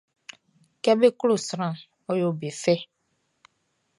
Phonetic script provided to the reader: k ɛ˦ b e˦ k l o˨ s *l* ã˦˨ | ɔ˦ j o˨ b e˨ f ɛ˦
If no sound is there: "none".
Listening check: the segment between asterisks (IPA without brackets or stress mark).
ɾ